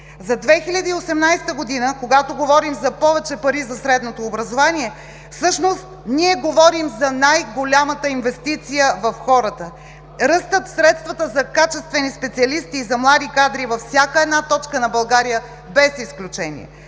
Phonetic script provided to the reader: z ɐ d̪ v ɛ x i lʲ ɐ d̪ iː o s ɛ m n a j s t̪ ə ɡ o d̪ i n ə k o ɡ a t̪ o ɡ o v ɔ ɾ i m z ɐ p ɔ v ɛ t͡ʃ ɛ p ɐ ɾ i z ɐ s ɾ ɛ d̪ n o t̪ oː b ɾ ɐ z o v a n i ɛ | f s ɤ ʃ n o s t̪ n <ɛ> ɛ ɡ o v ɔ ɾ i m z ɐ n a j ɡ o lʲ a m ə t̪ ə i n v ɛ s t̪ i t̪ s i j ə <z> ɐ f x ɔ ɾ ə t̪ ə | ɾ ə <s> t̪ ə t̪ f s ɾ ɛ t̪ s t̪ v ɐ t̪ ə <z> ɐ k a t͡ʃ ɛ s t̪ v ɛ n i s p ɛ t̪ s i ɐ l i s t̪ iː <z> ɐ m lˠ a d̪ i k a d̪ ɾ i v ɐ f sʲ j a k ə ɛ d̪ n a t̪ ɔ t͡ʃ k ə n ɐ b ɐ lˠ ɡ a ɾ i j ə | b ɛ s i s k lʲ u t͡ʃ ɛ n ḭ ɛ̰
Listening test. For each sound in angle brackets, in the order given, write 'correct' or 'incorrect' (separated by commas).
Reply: incorrect, incorrect, correct, correct, correct